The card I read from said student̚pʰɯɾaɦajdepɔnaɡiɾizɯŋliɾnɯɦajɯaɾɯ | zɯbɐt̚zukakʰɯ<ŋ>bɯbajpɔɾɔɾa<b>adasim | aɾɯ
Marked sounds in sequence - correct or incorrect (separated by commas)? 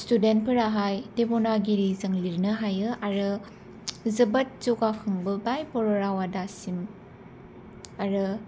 correct, incorrect